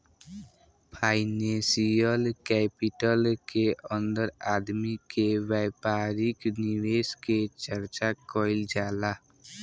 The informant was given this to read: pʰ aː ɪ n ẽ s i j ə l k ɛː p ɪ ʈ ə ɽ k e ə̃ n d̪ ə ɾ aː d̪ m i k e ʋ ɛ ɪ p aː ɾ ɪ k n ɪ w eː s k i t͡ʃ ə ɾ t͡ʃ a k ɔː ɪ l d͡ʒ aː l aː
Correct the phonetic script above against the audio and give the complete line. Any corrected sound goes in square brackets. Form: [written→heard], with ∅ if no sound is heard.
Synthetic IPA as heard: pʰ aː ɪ n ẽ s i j ə l k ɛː p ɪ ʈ ə [ɽ→l] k e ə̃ n d̪ ə ɾ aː d̪ m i k e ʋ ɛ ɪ p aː ɾ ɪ k n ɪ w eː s k [i→e] t͡ʃ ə ɾ t͡ʃ a k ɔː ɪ l d͡ʒ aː l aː